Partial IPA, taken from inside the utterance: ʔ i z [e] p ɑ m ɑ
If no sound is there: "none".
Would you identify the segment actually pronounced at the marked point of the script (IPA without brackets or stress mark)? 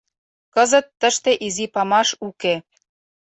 i